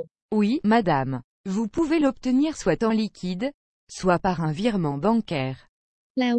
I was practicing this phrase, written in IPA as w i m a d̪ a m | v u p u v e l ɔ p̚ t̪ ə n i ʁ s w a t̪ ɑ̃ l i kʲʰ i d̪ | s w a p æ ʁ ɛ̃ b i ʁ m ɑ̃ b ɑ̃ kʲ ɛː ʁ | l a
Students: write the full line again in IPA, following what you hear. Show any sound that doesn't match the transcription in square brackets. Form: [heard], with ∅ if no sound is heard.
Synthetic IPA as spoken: w i m a d̪ a m | v u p u v e l ɔ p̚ t̪ ə n i ʁ s w a t̪ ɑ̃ l i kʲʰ i d̪ | s w a p [a] ʁ ɛ̃ [v] i ʁ m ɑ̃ b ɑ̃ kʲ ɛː ʁ | l a